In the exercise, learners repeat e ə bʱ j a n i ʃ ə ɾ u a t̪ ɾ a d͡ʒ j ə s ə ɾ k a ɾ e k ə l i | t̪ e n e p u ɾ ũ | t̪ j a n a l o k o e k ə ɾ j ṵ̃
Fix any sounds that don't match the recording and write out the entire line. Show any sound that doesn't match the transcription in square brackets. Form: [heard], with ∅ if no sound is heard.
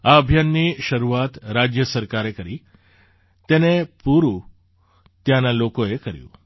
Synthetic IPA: [a] ə bʱ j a [nː] i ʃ ə ɾ u a t̪ ɾ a d͡ʒ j ə s ə ɾ k a ɾ e k ə [ɾ] i | t̪ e n e p u ɾ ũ | t̪ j a n a l o k o e k ə ɾ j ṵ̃

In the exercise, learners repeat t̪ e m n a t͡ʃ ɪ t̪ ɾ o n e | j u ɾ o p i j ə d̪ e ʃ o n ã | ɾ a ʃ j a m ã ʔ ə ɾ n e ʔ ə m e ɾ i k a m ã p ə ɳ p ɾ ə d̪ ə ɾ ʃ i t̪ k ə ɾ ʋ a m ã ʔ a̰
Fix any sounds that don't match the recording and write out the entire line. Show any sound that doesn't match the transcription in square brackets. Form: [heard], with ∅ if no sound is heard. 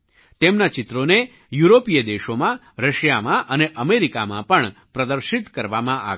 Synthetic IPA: t̪ e m n a t͡ʃ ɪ t̪ ɾ o n e | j u ɾ o p i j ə d̪ e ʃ o [m] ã | ɾ [ə] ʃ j a m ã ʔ ə [∅] n e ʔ ə m e ɾ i k a m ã p ə ɳ p ɾ ə d̪ ə ɾ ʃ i t̪ k ə ɾ ʋ a m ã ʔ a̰

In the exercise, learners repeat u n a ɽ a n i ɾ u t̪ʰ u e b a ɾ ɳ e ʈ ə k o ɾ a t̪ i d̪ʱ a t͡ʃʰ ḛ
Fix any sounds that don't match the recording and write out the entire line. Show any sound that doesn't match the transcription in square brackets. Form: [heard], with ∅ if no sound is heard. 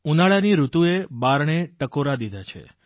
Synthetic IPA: u n a [ɭ] a n i ɾ u [t̪] u e b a ɾ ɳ e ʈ ə k o ɾ a [d̪] i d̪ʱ a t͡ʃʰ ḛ

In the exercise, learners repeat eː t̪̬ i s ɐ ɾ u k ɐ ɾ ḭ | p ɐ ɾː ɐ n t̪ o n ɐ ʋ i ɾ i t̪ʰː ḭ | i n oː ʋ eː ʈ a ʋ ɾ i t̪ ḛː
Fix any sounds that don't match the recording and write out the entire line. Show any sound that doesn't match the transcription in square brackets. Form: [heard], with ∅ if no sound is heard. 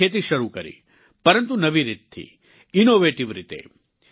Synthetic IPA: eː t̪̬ i [ʃ] ɐ ɾ u k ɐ ɾ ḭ | p ɐ [ɾ] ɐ n t̪ [u] n ɐ ʋ i ɾ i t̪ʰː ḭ | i n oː ʋ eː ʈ [i] ʋ ɾ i t̪ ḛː

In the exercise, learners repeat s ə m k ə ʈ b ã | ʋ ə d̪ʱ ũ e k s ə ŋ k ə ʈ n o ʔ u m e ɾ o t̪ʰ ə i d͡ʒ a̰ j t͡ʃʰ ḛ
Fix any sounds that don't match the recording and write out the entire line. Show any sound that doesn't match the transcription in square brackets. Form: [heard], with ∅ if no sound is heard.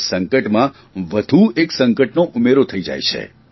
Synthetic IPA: s ə [ŋ] k ə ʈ [m] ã | ʋ ə d̪ʱ [u] e k s ə ŋ k ə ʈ n o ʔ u m e ɾ o t̪ʰ ə i d͡ʒ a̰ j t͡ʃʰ ḛ

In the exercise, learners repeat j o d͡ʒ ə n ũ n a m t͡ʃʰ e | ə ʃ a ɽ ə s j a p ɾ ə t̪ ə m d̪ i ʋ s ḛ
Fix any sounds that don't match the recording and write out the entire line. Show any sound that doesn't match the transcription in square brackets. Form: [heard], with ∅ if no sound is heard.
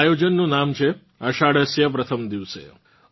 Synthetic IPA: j o d͡ʒ ə [nː] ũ n a m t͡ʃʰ e | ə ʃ a ɽ ə s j [ə] p ɾ ə [t̪ʰ] ə m d̪ i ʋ s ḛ

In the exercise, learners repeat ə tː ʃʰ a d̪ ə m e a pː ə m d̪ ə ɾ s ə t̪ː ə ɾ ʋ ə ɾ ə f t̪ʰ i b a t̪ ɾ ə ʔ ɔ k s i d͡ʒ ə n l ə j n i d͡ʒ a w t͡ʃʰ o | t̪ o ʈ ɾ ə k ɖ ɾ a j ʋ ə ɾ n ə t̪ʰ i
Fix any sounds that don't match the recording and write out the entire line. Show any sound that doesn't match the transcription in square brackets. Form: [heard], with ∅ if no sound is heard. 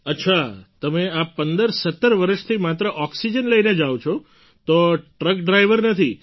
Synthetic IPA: ə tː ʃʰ a [t̪] ə m e a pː ə [n] d̪ ə ɾ s ə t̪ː ə ɾ ʋ ə ɾ ə [ʃ] t̪ʰ i [m] a t̪ ɾ ə ʔ ɔ k s i d͡ʒ ə n l ə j n [e] d͡ʒ a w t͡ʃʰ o | t̪ o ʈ ɾ ə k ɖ ɾ a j ʋ ə ɾ n ə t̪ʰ i

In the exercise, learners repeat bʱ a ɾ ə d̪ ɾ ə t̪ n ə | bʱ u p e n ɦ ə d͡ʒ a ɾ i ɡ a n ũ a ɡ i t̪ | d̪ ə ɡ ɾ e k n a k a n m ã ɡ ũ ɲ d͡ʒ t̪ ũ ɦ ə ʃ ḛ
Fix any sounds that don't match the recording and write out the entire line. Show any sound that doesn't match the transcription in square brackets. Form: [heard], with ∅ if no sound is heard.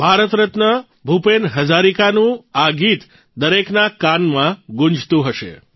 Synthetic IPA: bʱ a ɾ ə [t̪] ɾ ə t̪ n ə | bʱ u p e n ɦ ə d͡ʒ a ɾ i [k] a n ũ a ɡ i t̪ | d̪ ə [∅] ɾ e k n a k a n m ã ɡ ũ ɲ d͡ʒ t̪ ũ ɦ ə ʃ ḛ

